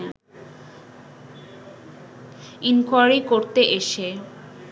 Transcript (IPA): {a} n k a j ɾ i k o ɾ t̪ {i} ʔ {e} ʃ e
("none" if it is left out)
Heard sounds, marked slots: i, e, e

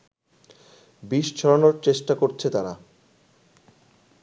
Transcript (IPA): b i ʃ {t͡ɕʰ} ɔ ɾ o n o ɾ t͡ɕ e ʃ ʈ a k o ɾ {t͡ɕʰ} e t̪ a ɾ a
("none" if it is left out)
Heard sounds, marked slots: t͡ɕʰ, t͡ɕʰ

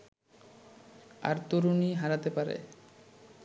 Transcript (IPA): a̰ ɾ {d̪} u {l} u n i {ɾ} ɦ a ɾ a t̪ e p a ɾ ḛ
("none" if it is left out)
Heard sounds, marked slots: t̪, ɾ, none

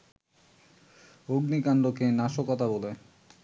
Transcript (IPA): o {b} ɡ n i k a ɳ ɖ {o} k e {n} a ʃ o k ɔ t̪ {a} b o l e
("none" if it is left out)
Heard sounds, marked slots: none, o, n, a

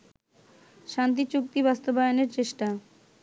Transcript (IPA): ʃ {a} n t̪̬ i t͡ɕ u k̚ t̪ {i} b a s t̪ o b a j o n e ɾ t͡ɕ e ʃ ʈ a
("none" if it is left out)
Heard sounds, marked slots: a, i

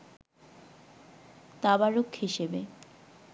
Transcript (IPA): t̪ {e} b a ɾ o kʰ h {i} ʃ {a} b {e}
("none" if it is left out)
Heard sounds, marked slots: a, i, e, e

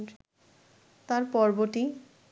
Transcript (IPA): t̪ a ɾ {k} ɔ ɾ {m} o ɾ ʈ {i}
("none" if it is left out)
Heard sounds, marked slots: p, b, i

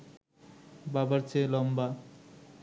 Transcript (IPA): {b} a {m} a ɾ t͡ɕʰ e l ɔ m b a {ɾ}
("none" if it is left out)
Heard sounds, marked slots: b, b, none

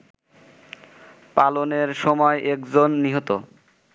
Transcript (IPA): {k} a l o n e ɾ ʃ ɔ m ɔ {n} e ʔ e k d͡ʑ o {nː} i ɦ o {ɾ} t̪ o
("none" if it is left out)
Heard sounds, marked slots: p, none, nː, none

